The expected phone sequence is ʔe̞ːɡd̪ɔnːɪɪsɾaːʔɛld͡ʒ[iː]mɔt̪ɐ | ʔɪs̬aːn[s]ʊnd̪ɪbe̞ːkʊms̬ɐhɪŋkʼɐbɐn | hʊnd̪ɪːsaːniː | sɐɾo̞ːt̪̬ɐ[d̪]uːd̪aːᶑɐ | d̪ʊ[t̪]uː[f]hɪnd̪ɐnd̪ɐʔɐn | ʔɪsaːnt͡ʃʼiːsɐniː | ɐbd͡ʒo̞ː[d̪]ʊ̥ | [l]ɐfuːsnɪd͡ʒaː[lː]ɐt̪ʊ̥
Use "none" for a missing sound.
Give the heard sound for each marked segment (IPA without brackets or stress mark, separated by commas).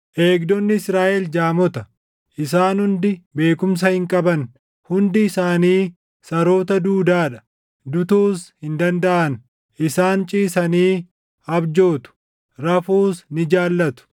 aː, h, d̪, t̪, s, t̪, ɾ, lː